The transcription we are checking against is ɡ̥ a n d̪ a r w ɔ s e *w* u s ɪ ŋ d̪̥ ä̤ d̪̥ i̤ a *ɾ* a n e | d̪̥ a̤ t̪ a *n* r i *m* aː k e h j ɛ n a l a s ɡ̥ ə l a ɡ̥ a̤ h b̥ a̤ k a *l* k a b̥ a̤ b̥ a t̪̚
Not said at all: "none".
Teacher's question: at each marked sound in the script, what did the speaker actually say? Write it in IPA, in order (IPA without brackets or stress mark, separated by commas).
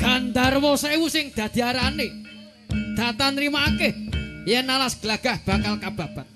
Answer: w, ɾ, n, m, l